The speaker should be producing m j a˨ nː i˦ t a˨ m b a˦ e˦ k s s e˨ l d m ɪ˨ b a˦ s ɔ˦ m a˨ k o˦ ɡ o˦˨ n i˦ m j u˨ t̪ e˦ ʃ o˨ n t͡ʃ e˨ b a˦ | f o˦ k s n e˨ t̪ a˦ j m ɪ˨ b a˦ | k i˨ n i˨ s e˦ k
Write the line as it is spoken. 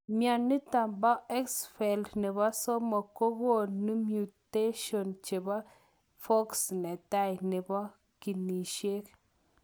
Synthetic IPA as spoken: m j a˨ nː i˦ t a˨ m b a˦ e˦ k s f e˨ l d n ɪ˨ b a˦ s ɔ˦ m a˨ k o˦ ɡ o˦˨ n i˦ m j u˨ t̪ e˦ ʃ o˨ n t͡ʃ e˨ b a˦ | f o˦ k s n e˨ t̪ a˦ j n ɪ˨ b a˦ | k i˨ n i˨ ʃ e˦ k